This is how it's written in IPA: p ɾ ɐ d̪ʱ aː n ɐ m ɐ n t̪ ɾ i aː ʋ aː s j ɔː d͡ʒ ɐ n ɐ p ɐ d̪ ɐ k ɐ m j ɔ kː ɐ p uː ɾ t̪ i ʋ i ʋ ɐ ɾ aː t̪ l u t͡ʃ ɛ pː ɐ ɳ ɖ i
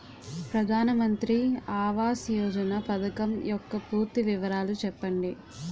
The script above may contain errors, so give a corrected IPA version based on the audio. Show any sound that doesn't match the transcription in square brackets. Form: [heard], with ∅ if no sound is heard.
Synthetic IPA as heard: p ɾ ɐ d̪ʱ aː n ɐ m ɐ n t̪ ɾ i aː ʋ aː s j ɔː d͡ʒ ɐ n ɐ p ɐ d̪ ɐ k ɐ m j ɔ kː ɐ p uː ɾ t̪ i ʋ i ʋ ɐ ɾ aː [∅] l u t͡ʃ ɛ pː ɐ ɳ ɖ i